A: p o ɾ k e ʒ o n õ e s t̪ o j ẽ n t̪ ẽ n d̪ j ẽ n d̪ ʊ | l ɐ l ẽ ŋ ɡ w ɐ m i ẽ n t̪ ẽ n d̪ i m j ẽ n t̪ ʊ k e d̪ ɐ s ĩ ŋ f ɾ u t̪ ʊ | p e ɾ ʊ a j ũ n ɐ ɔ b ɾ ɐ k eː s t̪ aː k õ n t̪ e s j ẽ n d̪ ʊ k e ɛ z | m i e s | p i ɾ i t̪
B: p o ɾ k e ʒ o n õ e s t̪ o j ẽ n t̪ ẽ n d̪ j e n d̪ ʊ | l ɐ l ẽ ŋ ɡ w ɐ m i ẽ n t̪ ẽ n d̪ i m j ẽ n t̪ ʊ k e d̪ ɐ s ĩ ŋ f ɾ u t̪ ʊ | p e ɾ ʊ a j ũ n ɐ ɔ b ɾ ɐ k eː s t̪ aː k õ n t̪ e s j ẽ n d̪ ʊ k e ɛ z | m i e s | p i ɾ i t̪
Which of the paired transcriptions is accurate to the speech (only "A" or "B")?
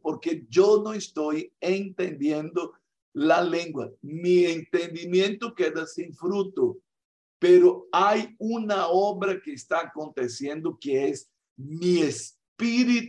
A